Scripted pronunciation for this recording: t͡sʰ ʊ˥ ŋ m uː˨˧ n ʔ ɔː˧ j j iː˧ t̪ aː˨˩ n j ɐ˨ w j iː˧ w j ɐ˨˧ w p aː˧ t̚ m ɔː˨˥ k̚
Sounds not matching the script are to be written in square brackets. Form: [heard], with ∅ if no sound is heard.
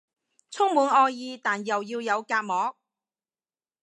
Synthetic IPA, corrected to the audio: t͡sʰ ʊ˥ ŋ m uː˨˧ n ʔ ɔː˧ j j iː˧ t̪ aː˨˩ n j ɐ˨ w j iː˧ w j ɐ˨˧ w [k] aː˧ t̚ m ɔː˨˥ k̚